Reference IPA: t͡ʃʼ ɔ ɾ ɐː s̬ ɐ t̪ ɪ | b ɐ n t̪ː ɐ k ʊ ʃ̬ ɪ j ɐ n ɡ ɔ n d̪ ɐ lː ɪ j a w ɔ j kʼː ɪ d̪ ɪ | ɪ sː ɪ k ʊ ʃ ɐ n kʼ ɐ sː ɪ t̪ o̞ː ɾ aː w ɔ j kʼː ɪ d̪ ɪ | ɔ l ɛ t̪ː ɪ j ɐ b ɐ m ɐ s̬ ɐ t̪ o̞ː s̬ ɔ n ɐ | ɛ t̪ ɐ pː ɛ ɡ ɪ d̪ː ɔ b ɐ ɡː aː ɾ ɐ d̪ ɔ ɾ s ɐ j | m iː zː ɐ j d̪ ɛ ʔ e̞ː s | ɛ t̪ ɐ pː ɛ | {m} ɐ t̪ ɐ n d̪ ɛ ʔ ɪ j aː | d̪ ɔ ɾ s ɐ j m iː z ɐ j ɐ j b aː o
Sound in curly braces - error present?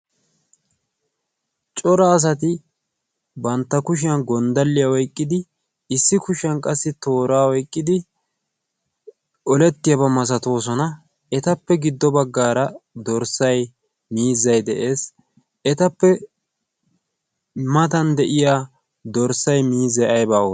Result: no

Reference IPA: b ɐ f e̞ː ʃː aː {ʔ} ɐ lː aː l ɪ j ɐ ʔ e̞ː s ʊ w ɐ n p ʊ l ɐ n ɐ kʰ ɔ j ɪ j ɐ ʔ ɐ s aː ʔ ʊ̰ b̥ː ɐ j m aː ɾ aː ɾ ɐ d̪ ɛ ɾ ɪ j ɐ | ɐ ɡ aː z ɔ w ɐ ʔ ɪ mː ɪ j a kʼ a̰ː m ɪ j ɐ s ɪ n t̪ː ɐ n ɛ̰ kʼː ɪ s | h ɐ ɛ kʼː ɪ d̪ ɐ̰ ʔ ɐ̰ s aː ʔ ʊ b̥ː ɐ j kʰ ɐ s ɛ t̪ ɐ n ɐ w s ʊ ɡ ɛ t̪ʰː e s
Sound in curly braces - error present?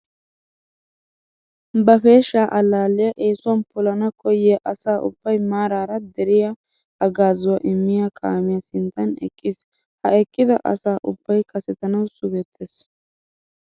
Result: no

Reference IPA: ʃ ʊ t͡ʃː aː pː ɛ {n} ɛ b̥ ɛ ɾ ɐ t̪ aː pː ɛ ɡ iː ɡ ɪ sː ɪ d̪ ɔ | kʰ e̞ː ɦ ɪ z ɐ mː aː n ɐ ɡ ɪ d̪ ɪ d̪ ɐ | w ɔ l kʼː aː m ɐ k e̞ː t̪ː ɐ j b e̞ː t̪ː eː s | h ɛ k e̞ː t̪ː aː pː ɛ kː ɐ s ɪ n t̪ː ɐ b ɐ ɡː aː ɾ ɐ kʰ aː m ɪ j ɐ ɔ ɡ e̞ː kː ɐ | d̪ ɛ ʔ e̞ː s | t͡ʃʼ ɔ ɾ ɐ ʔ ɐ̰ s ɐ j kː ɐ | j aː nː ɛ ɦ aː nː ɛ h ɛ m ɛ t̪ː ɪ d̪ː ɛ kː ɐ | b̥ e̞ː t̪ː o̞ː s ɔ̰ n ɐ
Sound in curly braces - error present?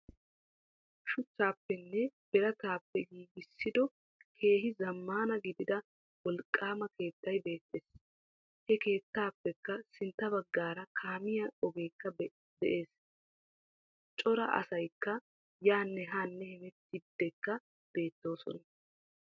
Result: yes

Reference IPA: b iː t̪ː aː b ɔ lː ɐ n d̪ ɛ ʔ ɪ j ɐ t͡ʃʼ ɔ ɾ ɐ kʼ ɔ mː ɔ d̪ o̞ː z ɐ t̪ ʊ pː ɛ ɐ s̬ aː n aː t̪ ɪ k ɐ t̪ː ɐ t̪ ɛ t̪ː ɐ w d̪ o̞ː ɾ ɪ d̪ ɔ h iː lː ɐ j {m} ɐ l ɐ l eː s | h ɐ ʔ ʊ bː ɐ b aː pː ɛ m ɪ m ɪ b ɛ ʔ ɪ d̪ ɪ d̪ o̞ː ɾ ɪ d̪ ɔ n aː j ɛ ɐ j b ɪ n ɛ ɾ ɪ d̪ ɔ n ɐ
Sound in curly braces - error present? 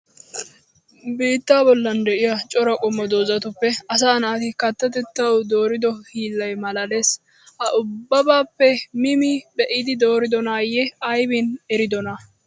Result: no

